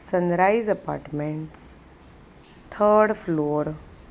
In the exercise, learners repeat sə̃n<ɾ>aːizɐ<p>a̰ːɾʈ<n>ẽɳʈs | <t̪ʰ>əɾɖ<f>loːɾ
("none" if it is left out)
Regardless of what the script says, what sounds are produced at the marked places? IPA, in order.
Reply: ɾ, p, m, t̪ʰ, f

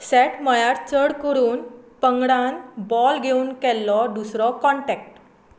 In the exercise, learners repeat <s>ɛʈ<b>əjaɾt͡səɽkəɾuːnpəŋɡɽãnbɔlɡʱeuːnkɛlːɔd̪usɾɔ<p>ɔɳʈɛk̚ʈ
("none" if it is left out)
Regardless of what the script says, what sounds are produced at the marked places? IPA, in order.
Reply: s, m, k

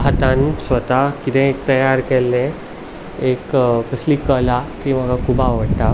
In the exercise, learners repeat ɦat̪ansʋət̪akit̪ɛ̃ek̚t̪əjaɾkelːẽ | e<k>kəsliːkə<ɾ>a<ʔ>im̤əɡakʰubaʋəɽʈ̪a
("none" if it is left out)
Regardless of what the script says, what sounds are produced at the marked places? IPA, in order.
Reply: k, l, k

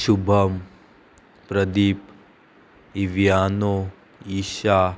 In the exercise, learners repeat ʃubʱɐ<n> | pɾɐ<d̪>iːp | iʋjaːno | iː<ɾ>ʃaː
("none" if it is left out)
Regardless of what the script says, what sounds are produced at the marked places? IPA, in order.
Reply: m, d̪, none

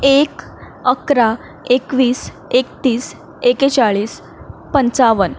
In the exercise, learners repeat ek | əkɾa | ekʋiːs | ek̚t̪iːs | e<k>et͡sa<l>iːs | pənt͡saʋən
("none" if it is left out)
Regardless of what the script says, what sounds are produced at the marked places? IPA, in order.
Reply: k, ɭ

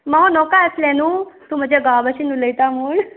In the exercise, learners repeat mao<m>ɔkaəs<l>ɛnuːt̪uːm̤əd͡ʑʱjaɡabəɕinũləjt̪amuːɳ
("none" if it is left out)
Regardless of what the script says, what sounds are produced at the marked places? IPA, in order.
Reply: n, l

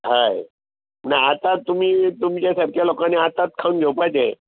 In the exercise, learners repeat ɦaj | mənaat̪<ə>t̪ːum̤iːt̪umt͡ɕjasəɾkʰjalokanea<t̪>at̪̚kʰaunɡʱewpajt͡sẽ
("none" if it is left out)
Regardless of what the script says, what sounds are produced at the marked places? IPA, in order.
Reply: a, t̪

